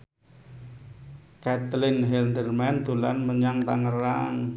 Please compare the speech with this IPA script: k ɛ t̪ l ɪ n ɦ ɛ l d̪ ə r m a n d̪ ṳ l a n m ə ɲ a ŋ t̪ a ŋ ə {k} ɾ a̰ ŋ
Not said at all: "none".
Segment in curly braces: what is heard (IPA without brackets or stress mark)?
none